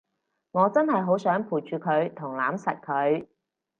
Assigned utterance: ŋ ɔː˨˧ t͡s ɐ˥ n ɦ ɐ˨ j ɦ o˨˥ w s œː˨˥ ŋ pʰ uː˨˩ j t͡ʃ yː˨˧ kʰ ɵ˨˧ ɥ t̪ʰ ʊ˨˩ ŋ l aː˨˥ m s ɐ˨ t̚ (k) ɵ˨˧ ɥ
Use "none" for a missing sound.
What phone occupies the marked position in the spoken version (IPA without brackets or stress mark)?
kʰ